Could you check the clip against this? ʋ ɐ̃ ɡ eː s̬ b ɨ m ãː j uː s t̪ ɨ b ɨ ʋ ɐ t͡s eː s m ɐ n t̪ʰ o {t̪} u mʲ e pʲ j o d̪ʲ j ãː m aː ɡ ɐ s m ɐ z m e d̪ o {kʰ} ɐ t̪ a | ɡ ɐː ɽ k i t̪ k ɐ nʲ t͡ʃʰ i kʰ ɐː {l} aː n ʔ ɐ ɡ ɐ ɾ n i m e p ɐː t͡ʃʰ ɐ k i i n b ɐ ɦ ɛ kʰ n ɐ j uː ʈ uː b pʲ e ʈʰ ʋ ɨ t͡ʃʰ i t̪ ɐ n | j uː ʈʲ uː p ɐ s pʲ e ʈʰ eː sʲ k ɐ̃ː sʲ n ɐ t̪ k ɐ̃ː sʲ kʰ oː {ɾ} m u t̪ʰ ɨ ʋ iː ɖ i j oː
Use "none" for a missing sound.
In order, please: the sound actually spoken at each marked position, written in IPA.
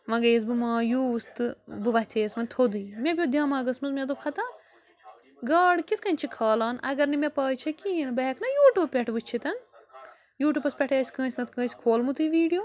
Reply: d̪, pʰ, l, l

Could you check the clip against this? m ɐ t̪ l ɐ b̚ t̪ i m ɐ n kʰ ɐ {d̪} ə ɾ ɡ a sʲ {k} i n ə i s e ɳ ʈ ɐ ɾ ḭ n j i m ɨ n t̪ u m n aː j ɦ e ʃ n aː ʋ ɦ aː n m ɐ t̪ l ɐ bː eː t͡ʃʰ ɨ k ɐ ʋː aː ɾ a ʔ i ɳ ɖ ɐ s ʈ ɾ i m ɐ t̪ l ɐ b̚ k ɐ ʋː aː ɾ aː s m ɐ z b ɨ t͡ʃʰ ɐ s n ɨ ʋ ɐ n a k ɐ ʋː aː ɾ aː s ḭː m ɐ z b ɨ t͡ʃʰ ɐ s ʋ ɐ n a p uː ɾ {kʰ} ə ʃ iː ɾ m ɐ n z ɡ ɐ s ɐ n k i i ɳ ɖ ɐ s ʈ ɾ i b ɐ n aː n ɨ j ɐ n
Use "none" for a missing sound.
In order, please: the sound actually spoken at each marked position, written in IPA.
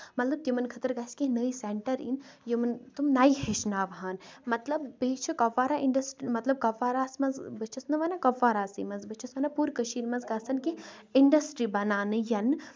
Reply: t̪, k, k

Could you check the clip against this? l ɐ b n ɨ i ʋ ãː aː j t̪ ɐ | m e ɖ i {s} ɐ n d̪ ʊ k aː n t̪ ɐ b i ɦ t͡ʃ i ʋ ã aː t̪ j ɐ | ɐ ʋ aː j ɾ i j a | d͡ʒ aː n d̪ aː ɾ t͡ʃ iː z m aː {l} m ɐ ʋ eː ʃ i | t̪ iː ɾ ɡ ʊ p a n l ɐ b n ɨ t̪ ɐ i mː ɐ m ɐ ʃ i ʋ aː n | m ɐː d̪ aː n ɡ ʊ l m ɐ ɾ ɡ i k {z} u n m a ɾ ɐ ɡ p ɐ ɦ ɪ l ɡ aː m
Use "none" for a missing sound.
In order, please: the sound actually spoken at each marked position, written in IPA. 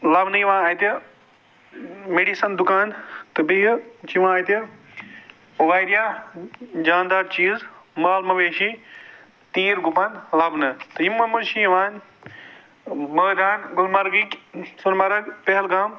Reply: s, l, s

